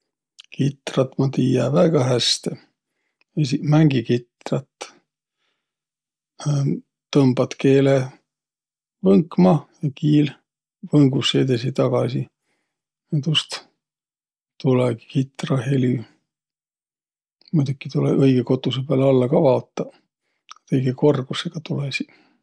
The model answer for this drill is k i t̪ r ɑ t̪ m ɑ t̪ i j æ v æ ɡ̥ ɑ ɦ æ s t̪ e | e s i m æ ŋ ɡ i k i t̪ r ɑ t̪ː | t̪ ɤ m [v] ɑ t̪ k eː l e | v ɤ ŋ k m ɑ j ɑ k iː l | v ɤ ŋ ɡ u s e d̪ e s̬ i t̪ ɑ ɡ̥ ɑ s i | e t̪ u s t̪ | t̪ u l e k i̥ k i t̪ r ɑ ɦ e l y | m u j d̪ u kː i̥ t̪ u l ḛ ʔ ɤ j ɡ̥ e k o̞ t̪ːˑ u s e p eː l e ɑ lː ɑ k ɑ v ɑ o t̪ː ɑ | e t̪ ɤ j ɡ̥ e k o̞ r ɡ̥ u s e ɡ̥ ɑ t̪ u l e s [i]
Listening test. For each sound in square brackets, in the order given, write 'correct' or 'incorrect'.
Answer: incorrect: b, correct

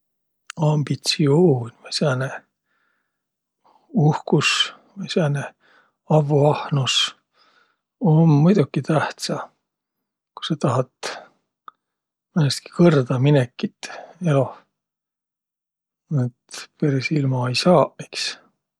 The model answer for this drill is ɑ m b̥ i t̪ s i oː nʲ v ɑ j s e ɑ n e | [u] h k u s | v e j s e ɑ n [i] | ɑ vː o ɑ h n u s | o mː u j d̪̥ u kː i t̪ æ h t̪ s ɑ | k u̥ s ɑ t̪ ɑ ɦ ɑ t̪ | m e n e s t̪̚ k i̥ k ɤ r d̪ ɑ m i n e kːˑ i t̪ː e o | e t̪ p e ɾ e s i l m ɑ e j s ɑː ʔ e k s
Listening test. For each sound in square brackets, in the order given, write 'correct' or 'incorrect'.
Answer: correct, incorrect: e

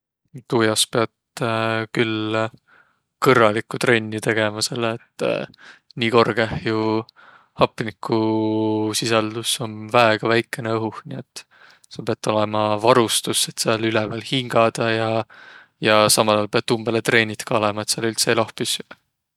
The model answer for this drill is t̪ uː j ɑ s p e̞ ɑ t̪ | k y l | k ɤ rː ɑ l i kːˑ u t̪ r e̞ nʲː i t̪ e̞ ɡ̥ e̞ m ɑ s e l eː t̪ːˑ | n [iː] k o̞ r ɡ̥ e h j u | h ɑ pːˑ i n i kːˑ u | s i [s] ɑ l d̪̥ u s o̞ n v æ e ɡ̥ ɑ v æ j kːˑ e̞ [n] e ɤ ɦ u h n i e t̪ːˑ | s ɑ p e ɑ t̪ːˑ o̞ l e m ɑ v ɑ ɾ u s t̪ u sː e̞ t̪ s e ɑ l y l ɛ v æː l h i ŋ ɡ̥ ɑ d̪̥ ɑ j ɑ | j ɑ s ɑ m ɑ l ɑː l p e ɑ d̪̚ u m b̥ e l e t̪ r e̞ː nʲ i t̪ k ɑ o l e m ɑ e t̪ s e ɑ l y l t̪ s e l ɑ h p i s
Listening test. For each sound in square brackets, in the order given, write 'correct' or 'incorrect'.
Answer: correct, correct, correct

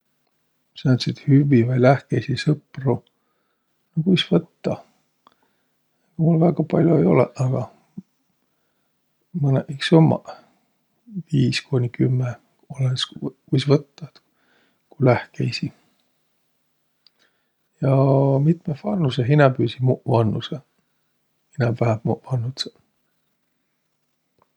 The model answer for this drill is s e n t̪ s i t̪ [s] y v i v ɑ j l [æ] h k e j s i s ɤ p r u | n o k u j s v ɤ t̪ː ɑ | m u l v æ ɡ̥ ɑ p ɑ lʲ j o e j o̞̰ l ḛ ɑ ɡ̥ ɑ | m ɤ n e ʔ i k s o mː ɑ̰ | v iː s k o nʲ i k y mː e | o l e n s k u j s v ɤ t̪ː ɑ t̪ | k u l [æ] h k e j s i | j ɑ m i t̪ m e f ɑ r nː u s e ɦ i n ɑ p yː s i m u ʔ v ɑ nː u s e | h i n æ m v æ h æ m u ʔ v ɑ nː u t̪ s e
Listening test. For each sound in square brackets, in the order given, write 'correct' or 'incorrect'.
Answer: incorrect: h, correct, correct

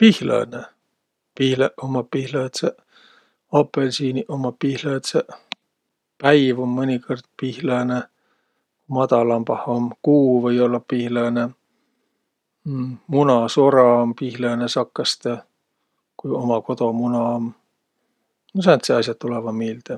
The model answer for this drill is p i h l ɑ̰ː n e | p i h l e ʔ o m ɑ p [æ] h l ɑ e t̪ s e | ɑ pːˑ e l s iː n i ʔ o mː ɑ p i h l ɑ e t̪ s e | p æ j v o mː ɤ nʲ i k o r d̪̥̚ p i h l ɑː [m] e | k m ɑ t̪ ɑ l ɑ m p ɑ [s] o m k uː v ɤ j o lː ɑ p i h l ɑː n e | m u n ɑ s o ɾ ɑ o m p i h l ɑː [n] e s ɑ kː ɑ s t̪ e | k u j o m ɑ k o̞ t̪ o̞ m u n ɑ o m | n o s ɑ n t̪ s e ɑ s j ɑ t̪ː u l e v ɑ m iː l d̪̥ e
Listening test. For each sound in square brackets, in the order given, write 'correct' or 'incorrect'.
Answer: incorrect: i, incorrect: n, incorrect: h, correct

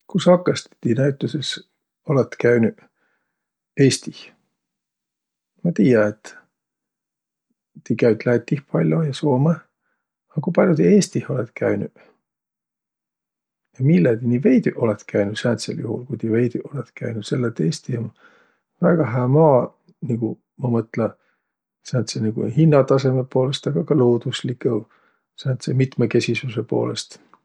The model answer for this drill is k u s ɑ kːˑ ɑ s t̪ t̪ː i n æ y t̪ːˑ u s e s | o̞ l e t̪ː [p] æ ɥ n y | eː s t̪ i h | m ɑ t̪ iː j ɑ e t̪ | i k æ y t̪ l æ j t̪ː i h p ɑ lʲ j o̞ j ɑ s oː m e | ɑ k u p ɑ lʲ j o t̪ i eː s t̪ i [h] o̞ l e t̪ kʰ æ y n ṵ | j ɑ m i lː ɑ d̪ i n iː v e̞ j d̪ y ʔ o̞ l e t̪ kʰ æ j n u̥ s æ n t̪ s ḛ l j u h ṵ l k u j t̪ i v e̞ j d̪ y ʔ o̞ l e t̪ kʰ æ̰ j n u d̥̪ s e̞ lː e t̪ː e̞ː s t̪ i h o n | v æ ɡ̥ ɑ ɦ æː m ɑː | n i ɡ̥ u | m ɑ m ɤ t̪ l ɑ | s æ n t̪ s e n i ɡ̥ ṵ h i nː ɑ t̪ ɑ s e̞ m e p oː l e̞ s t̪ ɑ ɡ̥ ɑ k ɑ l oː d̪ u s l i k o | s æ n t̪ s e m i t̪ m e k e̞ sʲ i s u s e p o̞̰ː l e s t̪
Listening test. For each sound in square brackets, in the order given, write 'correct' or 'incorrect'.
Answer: incorrect: k, correct

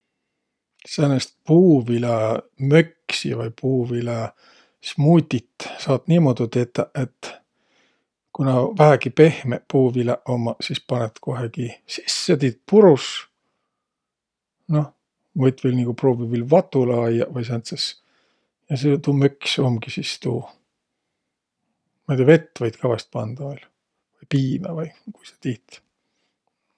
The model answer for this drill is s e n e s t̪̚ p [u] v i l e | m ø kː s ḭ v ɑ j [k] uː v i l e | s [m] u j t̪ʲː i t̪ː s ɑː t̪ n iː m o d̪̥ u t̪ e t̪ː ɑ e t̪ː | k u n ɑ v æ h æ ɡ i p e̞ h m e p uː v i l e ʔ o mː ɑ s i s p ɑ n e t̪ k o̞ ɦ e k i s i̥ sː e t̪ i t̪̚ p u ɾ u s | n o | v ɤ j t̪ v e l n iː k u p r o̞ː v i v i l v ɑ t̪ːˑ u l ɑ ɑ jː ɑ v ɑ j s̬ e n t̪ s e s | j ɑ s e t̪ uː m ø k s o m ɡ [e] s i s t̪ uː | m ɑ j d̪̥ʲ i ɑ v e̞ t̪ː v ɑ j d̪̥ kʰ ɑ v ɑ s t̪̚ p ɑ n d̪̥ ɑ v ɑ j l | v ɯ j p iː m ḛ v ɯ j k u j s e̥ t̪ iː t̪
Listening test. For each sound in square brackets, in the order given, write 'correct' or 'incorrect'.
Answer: incorrect: uː, incorrect: p, correct, incorrect: i

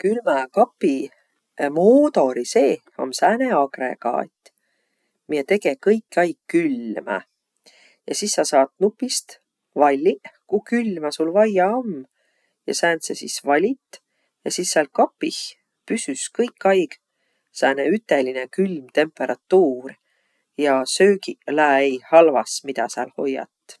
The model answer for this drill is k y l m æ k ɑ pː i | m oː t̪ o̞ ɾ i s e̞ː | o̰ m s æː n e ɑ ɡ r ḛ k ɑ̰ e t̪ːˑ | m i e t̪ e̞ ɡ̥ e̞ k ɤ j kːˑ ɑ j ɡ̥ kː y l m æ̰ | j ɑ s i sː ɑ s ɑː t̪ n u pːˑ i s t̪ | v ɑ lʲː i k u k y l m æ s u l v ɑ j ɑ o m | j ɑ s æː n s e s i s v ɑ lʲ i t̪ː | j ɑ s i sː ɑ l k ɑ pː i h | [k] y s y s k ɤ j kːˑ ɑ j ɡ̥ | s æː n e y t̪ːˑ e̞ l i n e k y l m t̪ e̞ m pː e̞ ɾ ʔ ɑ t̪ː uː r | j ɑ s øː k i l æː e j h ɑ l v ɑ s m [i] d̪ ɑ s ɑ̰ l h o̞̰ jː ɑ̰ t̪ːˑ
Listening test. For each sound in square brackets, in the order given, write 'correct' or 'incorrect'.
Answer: incorrect: p, correct

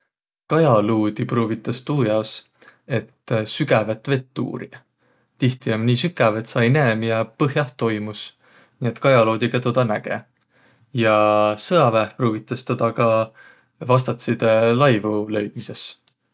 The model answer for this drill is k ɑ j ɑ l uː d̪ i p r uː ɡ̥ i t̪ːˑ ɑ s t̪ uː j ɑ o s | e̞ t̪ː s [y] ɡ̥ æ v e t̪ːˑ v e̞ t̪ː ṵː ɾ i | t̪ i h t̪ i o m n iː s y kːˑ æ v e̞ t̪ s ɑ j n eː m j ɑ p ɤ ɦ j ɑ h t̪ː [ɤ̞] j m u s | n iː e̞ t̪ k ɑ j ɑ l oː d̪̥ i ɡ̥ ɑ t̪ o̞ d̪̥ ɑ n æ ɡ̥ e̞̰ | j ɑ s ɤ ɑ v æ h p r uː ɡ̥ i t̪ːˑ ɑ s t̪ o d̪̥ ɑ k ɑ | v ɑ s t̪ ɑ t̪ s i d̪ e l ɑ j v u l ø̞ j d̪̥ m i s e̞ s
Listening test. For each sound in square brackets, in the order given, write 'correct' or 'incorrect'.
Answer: correct, incorrect: o̞

